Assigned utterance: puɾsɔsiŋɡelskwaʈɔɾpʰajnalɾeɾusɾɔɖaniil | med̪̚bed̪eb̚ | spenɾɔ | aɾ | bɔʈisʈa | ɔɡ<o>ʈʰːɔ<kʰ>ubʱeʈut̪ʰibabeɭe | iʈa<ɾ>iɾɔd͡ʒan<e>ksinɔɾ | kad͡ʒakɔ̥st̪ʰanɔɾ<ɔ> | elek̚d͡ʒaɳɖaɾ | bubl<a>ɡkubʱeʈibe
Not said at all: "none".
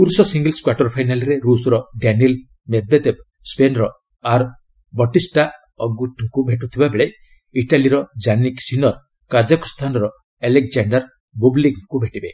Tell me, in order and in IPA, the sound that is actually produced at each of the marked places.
u, k, l, i, ɔ, i

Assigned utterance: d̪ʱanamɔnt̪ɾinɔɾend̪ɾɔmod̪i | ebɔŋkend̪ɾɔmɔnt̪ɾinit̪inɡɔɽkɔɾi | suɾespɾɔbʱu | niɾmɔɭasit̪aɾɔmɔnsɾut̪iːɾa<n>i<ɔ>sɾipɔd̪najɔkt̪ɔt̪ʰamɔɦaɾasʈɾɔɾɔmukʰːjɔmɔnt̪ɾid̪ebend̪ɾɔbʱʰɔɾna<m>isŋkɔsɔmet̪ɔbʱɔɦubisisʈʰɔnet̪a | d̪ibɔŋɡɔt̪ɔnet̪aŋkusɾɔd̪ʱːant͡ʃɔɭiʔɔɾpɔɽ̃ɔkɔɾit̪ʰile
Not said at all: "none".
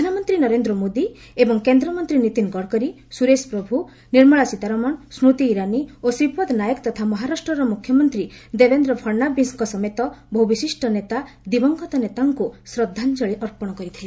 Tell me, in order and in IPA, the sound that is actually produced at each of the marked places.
n, o, b

